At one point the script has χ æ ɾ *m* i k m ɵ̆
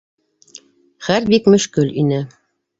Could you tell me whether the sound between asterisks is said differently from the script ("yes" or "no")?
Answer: yes